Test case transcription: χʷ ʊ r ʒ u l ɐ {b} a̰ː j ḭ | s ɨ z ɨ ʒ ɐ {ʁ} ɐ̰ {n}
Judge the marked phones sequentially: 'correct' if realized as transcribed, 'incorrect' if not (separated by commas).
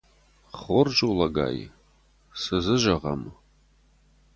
incorrect, correct, incorrect